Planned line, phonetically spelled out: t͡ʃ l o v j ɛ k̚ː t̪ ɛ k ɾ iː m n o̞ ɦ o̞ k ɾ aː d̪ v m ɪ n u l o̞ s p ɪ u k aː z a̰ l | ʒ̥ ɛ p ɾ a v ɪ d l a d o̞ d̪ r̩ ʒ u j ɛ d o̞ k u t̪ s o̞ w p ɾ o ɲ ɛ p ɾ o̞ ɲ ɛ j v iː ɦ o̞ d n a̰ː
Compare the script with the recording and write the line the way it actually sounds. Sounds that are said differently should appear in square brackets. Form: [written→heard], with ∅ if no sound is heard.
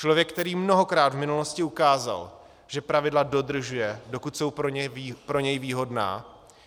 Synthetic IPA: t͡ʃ l o v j ɛ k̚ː t̪ ɛ [k→∅] ɾ iː m n o̞ ɦ o̞ k ɾ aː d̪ v m ɪ n u l o̞ s [p→c] ɪ u k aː z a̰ l | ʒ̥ ɛ p ɾ a v ɪ d l a d o̞ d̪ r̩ ʒ u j ɛ d o̞ k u t̪ s o̞ w p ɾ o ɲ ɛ p ɾ o̞ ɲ ɛ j v iː ɦ o̞ d n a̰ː

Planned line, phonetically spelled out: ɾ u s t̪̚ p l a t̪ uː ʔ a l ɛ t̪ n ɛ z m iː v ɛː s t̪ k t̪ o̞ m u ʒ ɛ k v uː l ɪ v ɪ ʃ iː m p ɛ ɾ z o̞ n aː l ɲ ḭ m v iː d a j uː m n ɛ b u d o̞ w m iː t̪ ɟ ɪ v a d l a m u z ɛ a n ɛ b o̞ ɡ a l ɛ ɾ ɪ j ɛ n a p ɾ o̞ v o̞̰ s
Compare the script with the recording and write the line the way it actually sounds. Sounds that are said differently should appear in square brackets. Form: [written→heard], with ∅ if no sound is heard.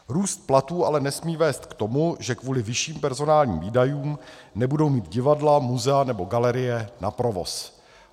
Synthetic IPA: ɾ [u→uː] s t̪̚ p l a t̪ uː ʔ a l ɛ [t̪→∅] n ɛ [z→s] m iː v ɛː s t̪ k t̪ o̞ m u ʒ ɛ k v uː l ɪ v ɪ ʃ iː m p ɛ ɾ z o̞ n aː l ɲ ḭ m v iː d a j uː m n ɛ b u d o̞ w m iː t̪ ɟ ɪ v a d l a m u z ɛ a n ɛ b o̞ ɡ a l ɛ ɾ ɪ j ɛ n a p ɾ o̞ v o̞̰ s

